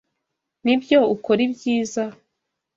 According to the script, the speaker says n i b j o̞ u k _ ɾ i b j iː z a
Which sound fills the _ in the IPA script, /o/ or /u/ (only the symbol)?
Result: o